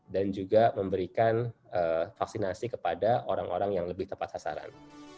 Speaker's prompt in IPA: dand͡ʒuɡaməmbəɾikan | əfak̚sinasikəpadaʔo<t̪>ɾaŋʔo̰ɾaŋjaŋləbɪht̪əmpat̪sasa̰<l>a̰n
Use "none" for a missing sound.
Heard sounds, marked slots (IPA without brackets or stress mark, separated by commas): none, ɾ